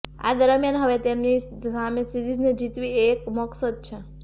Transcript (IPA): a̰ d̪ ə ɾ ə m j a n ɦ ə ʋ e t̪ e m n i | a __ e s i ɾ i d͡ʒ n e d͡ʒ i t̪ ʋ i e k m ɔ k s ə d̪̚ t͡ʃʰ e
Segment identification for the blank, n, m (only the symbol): m